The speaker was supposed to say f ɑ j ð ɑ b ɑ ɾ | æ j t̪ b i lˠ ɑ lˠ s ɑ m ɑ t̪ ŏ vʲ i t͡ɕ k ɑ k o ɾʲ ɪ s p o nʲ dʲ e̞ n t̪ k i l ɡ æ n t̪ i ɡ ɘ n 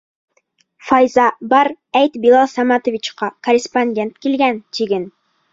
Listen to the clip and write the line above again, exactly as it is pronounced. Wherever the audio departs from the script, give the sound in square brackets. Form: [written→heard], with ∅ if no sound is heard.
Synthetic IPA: f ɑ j [ð→z] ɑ b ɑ ɾ | æ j t̪ b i lˠ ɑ lˠ s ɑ m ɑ t̪ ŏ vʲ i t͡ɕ [k→q] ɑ k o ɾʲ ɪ s p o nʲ dʲ e̞ n t̪ k i l ɡ æ n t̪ i ɡ ɘ n